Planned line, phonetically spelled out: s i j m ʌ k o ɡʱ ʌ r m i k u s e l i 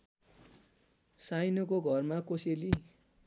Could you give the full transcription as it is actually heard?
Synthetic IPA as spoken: s a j n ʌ k o ɡʱ ʌ r m a k o s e l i